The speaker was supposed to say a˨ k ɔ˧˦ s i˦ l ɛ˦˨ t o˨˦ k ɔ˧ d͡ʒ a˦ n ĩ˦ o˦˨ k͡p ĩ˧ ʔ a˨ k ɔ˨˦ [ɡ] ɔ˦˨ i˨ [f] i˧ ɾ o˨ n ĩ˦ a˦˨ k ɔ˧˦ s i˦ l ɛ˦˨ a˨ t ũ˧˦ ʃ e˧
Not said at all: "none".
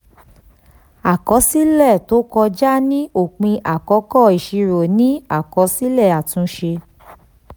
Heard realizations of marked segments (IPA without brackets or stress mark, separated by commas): k, ʃ